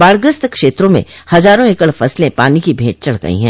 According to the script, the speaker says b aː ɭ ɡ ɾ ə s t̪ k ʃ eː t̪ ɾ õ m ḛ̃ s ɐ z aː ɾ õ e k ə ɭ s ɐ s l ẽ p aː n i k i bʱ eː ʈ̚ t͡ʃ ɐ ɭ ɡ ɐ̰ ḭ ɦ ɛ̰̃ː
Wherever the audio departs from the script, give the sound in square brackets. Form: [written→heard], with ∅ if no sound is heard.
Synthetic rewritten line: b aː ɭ ɡ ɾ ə s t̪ k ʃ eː t̪ ɾ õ m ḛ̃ [s→h] ɐ z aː ɾ õ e k ə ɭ [s→f] ɐ s l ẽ p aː n i k i bʱ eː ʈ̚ t͡ʃ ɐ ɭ ɡ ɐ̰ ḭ ɦ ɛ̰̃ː

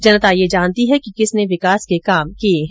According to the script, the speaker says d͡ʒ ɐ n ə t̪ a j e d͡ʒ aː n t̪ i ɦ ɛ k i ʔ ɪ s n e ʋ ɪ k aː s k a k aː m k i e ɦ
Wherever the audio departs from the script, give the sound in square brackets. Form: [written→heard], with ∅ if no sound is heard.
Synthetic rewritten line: d͡ʒ ɐ n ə t̪ a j e d͡ʒ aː n t̪ i ɦ ɛ k i [ʔ→k] ɪ s n e ʋ ɪ k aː s k [a→e] k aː m k i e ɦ

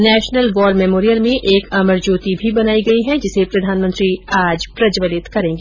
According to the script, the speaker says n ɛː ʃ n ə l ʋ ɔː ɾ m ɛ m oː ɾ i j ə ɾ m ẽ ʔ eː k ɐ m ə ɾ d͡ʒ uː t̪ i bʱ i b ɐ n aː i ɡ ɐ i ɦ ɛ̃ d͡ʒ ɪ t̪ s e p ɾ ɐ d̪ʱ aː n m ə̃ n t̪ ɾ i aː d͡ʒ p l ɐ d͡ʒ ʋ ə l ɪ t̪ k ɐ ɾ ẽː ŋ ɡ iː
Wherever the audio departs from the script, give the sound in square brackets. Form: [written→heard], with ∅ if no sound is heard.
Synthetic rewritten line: n ɛː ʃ n ə l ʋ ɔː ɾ m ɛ m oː ɾ i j ə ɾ m ẽ ʔ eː k ɐ m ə ɾ d͡ʒ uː t̪ i bʱ i b ɐ n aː i ɡ ɐ i ɦ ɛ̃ d͡ʒ ɪ [t̪→∅] s e p ɾ ɐ d̪ʱ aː n m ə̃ n t̪ ɾ i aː d͡ʒ p [l→ɾ] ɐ d͡ʒ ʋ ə l ɪ t̪ k ɐ ɾ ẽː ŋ ɡ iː

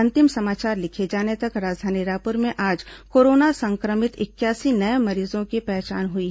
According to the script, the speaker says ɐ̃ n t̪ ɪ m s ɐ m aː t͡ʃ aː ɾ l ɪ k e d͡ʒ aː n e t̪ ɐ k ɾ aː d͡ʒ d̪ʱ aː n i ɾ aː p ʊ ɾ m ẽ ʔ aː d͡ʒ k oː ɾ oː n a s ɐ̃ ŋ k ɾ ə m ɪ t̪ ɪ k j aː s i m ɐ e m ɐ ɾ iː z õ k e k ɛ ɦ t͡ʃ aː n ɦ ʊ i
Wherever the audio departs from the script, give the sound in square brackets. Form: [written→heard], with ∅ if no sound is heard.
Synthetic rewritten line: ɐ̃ n t̪ ɪ m s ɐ m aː t͡ʃ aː ɾ l ɪ [k→kʰ] e d͡ʒ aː n e t̪ ɐ k ɾ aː d͡ʒ d̪ʱ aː n i ɾ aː p ʊ ɾ m ẽ ʔ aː d͡ʒ k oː ɾ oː n a s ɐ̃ ŋ k ɾ ə m ɪ t̪ ɪ k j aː s i [m→n] ɐ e m ɐ ɾ iː z õ k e [k→p] ɛ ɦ t͡ʃ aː n ɦ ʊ i

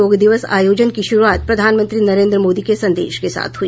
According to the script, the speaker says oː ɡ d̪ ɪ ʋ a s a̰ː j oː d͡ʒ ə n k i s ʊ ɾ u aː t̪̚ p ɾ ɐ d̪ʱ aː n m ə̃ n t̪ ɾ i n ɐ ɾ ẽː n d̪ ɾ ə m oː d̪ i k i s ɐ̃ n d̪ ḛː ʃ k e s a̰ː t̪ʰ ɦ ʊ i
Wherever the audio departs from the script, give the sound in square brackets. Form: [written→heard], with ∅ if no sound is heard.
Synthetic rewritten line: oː ɡ d̪ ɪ ʋ [a→ə] s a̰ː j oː d͡ʒ ə n k i [s→ʃ] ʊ ɾ u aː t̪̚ p ɾ ɐ d̪ʱ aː n m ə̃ n t̪ ɾ i n ɐ ɾ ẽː n d̪ ɾ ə m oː d̪ i k [i→e] s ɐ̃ n d̪ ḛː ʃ k e s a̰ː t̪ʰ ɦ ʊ i

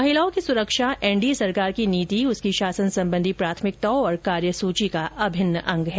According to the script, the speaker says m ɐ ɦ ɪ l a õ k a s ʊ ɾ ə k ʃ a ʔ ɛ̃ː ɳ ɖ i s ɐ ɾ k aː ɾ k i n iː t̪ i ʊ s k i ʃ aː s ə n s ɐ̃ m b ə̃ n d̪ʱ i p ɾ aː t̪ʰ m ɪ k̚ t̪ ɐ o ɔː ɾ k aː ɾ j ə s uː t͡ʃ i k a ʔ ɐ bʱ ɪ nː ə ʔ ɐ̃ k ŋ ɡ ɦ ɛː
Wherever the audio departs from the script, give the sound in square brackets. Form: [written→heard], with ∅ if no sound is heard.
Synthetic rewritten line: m ɐ ɦ ɪ l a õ k [a→i] s ʊ ɾ ə k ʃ a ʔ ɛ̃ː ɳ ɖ i s ɐ ɾ k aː ɾ k i n iː t̪ i ʊ s k i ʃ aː s ə n s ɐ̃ m b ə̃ n d̪ʱ i p ɾ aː t̪ʰ m ɪ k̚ t̪ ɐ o ɔː ɾ k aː ɾ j ə s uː t͡ʃ i k a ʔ ɐ bʱ ɪ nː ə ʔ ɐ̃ [k→∅] ŋ ɡ ɦ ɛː

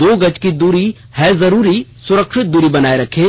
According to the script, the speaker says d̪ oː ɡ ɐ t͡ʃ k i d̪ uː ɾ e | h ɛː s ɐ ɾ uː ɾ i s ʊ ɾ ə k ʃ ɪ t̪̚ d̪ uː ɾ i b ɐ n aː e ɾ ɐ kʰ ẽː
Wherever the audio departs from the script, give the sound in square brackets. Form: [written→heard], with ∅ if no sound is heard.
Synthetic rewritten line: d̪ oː ɡ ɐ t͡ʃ k i d̪ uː ɾ [e→i] | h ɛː [s→z] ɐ ɾ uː ɾ i s ʊ ɾ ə k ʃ ɪ t̪̚ d̪ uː ɾ i b ɐ n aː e ɾ ɐ kʰ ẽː

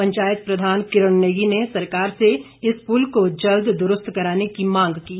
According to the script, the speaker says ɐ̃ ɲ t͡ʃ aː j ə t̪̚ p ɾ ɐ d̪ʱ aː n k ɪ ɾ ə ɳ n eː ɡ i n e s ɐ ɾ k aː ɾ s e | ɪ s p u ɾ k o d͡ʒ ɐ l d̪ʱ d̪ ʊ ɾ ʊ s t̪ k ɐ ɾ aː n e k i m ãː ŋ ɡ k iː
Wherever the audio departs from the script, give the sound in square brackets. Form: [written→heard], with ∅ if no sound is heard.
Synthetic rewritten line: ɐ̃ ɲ t͡ʃ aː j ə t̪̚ p ɾ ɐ d̪ʱ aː n k ɪ ɾ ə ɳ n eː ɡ i n e s ɐ ɾ k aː ɾ s e | ɪ s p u [ɾ→l] k o d͡ʒ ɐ l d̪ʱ d̪ ʊ ɾ ʊ s t̪ k ɐ ɾ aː n e k i m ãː ŋ ɡ k iː

